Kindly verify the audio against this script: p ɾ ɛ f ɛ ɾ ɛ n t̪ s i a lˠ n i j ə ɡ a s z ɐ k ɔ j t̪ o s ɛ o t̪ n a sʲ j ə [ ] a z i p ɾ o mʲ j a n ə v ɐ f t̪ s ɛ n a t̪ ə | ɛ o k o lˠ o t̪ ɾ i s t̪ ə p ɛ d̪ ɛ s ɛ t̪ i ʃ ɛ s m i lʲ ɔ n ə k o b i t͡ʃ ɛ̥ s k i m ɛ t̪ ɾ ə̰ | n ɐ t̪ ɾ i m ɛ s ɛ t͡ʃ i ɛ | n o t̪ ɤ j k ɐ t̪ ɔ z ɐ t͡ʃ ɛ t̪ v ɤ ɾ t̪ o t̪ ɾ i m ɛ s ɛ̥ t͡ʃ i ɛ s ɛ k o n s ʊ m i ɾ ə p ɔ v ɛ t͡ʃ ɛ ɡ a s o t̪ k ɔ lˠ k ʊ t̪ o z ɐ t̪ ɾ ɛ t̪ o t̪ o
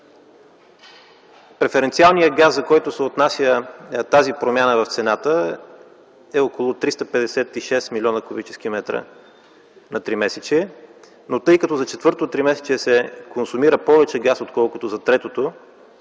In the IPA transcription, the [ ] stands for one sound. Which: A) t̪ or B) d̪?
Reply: A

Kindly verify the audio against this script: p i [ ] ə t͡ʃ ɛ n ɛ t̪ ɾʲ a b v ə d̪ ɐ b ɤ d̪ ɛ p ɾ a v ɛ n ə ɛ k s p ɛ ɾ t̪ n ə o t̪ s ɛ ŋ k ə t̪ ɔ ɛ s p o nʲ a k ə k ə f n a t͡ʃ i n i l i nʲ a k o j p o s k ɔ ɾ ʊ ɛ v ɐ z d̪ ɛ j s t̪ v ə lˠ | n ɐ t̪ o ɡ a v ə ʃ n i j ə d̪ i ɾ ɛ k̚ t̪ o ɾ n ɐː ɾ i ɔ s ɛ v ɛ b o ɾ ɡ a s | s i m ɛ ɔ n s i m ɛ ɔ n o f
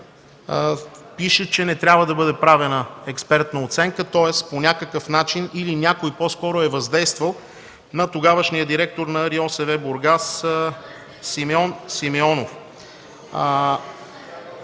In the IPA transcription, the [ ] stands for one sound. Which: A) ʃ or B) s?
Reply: A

